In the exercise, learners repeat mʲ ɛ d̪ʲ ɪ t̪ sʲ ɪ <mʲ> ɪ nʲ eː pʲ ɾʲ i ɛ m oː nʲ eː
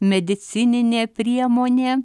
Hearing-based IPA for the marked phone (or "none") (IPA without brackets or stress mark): nʲ